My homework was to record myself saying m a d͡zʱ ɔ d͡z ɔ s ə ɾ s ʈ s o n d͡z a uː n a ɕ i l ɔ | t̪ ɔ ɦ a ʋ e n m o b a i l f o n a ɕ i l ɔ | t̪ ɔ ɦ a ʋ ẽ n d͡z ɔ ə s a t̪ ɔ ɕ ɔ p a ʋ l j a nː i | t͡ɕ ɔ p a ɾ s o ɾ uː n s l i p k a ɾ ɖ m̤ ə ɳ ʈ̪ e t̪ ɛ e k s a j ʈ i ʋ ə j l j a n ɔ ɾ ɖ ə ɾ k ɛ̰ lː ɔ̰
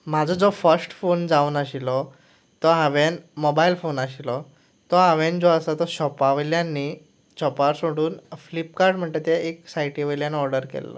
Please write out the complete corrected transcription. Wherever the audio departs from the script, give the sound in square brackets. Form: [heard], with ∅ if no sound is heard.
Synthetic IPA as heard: m a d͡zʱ ɔ d͡z ɔ [f] ə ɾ s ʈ [f] o n d͡z a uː n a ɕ i l ɔ | t̪ ɔ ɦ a ʋ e n m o b a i l f o n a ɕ i l ɔ | t̪ ɔ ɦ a ʋ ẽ n d͡z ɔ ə s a t̪ ɔ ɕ ɔ p a ʋ l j a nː i | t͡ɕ ɔ p a ɾ s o [ɽ] uː n [f] l i p k a ɾ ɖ m̤ ə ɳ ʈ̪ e t̪ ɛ e k s a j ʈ i ʋ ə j l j a n ɔ ɾ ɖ ə ɾ k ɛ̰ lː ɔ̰